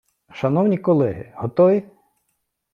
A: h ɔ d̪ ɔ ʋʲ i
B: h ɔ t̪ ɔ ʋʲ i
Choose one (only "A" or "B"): B